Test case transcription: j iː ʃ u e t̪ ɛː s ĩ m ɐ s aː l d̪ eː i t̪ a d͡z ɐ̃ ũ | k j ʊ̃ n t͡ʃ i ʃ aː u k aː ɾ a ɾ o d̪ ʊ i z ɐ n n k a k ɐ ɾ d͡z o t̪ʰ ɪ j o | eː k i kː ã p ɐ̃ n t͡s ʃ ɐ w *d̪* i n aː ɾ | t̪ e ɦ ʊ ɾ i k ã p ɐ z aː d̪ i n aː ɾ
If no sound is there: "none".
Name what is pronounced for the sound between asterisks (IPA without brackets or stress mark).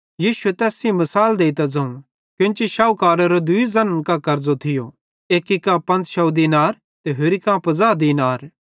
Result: d̪